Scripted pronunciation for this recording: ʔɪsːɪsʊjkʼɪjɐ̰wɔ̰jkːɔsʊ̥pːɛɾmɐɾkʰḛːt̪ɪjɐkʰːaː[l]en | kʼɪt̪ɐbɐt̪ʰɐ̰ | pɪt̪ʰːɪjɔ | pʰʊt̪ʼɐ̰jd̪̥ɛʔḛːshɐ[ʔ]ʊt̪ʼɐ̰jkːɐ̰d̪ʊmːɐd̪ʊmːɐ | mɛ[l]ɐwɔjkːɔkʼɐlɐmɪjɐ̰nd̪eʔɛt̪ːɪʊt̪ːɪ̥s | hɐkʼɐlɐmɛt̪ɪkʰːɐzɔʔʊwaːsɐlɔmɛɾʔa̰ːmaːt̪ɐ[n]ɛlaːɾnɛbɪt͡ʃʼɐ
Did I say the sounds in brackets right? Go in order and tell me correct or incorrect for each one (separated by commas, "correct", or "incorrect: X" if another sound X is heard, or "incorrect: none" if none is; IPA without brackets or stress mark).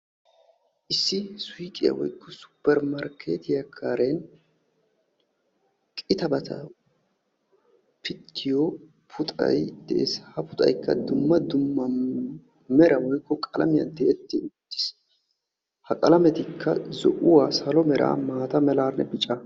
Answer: incorrect: ɾ, incorrect: p, incorrect: ɾ, incorrect: m